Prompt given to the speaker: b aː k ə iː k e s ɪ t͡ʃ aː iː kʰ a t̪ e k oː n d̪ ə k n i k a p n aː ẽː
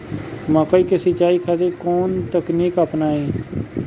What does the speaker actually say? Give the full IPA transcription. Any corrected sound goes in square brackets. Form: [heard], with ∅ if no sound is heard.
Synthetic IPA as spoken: [m] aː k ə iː k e s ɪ t͡ʃ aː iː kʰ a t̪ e k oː n [t̪] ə k n [iː] k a p n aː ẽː